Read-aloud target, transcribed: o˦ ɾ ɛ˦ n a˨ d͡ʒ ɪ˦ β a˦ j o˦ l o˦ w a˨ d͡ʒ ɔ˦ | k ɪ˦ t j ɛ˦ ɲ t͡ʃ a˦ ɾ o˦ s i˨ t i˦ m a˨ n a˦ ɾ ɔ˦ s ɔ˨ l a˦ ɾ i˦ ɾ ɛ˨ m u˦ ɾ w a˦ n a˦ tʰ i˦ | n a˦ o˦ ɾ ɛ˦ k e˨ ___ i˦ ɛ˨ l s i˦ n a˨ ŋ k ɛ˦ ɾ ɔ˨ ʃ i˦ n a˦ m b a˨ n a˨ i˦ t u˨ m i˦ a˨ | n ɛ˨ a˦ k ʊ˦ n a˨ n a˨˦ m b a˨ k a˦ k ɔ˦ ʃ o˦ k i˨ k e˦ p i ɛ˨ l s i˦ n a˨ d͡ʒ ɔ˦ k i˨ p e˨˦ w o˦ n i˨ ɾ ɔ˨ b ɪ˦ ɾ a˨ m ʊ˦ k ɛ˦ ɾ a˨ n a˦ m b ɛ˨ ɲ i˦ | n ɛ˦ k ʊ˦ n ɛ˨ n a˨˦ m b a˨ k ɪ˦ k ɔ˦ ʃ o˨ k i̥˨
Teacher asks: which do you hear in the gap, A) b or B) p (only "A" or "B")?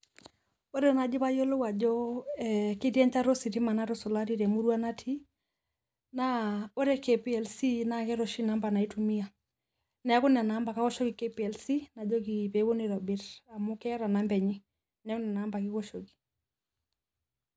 B